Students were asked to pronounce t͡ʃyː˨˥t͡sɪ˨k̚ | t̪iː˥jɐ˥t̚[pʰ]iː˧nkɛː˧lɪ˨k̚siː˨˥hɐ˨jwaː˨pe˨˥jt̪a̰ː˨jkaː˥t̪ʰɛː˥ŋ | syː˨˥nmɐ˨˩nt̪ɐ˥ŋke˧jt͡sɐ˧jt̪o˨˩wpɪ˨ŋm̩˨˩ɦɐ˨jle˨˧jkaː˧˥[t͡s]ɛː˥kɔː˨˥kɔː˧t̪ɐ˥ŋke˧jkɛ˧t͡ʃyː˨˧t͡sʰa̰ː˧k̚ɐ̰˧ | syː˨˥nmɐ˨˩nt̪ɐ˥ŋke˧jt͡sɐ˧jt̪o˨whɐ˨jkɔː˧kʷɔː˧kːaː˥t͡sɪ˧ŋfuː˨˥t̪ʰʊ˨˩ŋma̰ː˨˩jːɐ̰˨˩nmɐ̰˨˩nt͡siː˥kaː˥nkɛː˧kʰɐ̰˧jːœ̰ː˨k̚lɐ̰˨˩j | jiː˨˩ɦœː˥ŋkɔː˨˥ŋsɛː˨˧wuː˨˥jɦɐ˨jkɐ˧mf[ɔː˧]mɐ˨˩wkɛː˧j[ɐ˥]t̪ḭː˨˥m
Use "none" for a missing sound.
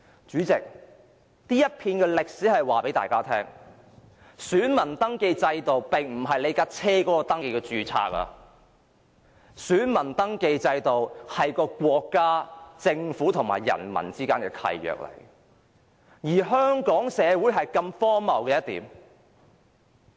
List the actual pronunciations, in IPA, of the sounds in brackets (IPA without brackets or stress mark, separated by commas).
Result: pʰ, t͡sʰ, ɔː˥, ɐ˥